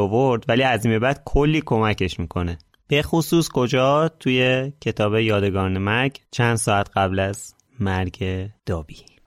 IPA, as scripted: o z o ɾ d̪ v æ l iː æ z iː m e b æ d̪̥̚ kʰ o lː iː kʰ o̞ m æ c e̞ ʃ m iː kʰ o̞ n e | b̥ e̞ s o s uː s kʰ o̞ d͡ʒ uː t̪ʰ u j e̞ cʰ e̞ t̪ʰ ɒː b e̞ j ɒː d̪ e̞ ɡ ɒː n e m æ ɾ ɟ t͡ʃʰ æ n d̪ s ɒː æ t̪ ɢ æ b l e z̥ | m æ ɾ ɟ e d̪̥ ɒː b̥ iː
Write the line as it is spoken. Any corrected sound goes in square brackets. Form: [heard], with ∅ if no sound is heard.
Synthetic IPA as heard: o [v] o ɾ d̪ v æ l iː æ z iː m e b æ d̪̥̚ kʰ o lː iː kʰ o̞ m æ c e̞ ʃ m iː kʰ o̞ n e | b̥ e̞ [x] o s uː s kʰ o̞ d͡ʒ [ɒː] t̪ʰ u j e̞ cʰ e̞ t̪ʰ ɒː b e̞ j ɒː d̪ e̞ ɡ ɒː n e m æ ɾ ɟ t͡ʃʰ æ n d̪ s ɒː æ t̪ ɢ æ b l [æ] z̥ | m æ ɾ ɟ e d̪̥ ɒː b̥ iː